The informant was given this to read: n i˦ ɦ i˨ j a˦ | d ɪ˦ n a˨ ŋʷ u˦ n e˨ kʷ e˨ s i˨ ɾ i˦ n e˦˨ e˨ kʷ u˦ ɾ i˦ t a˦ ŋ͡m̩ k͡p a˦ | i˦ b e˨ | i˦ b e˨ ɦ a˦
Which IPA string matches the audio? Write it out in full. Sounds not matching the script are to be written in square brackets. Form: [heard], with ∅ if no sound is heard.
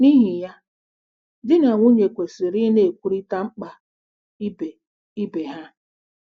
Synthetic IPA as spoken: n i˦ ɦ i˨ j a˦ | d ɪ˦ n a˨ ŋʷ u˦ [ɲ] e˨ kʷ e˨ s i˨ ɾ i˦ n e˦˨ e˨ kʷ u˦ ɾ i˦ t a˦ ŋ͡m̩ k͡p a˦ | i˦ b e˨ | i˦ b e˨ ɦ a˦